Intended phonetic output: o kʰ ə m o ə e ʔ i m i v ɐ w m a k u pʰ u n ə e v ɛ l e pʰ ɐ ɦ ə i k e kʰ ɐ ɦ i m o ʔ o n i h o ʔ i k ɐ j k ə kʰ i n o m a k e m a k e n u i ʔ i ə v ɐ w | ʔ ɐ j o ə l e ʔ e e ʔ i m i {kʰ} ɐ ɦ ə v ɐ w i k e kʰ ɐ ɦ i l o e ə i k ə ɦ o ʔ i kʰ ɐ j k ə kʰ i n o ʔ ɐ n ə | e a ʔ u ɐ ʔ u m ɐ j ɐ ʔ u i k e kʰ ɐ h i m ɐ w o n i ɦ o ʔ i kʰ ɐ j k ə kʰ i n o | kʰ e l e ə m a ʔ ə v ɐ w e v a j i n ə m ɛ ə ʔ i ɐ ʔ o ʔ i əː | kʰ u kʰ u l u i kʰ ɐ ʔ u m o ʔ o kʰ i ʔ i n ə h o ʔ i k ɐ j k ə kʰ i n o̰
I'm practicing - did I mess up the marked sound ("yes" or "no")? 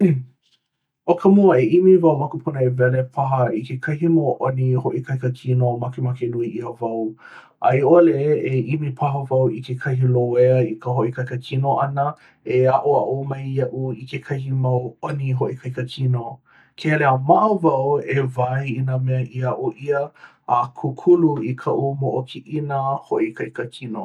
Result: yes